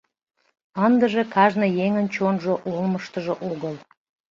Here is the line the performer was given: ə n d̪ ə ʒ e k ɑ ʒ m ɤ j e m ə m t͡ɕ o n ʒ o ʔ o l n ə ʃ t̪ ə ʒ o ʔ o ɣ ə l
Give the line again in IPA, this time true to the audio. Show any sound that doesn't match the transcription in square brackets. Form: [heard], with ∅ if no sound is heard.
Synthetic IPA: ə n d̪ ə ʒ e k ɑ ʒ [n] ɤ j e [ŋ] ə [n] t͡ɕ o n ʒ o ʔ o l [m] ə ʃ t̪ ə ʒ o ʔ o ɣ ə l